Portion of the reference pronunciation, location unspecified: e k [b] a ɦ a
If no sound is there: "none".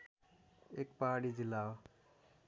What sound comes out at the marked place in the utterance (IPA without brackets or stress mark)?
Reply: p